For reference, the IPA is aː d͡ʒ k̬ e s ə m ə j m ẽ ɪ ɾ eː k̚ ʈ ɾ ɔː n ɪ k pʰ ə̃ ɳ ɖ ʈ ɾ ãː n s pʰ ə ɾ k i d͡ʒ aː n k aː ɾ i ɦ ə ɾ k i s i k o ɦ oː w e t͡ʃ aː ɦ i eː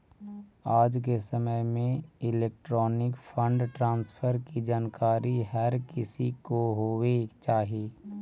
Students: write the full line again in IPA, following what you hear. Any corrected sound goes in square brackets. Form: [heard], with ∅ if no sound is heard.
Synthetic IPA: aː d͡ʒ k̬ e s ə m ə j m ẽ ɪ [l] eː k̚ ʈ ɾ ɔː n ɪ k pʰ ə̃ ɳ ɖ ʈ ɾ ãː n s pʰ ə ɾ k i d͡ʒ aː n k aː ɾ i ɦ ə ɾ k [ɪ] s i k o ɦ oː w e t͡ʃ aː ɦ i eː